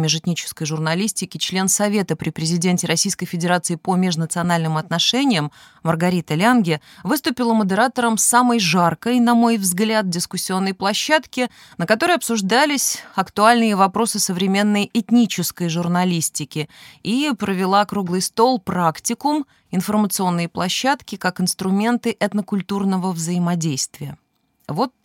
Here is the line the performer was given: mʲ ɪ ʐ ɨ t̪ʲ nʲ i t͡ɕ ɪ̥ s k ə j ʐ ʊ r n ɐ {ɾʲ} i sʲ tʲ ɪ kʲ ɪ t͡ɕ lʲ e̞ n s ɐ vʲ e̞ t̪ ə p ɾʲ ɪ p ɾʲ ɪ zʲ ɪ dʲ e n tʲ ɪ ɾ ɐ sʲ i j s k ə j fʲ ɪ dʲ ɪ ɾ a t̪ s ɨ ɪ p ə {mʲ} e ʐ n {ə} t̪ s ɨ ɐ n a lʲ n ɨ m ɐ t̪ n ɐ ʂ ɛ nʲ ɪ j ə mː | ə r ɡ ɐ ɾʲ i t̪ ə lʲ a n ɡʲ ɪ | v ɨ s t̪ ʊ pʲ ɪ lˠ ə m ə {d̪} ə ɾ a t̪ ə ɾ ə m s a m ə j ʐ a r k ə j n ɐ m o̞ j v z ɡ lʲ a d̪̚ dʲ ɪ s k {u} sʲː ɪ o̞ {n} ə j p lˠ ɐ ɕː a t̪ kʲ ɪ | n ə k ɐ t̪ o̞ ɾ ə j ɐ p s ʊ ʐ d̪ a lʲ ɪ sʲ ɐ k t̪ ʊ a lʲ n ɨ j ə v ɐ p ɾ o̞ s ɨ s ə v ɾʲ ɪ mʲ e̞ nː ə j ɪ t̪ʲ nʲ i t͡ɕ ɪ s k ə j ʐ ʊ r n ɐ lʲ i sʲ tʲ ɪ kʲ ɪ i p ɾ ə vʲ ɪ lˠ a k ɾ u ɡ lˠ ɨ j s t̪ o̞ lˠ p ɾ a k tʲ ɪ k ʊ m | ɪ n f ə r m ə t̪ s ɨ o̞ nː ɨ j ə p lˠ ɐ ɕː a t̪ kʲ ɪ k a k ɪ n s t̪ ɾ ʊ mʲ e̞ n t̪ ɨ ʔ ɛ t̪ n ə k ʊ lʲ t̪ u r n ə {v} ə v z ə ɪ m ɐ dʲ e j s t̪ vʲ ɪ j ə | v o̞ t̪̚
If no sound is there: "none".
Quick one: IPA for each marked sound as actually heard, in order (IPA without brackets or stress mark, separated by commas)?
lʲ, mʲ, ə, d̪, ʊ, nː, v